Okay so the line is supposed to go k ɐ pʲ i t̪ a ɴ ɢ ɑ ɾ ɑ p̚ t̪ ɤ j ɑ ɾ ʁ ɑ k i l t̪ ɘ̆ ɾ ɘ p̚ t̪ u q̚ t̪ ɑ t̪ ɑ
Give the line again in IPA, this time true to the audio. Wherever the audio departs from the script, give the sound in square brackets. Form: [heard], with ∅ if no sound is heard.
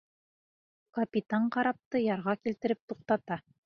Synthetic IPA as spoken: k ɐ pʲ i t̪ a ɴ [q] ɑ ɾ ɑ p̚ t̪ ɤ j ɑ ɾ ʁ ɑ k i l t̪ ɘ̆ ɾ ɘ p̚ t̪ u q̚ t̪ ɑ t̪ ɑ